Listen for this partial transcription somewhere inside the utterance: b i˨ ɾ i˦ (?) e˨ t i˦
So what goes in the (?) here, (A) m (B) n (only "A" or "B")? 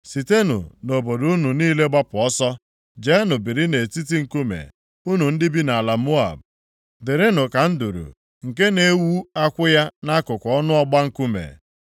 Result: B